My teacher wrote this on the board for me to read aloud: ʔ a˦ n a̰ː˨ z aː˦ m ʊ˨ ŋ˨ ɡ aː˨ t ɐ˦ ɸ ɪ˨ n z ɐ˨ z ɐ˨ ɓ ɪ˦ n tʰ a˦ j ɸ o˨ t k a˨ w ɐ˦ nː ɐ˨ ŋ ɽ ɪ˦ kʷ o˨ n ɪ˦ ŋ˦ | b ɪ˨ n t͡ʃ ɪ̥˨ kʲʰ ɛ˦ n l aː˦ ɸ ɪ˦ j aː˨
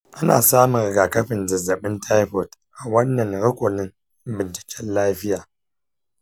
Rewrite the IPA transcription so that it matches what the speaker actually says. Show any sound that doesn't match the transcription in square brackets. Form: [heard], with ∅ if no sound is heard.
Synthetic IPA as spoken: ʔ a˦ n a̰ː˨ [s] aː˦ m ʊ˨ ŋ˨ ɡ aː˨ [k] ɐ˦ ɸ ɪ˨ n z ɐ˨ z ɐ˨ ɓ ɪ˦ n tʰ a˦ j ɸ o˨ t [ʔ] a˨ w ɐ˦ nː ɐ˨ ŋ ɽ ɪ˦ kʷ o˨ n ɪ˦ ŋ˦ | b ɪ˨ n t͡ʃ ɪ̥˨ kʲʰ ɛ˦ n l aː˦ ɸ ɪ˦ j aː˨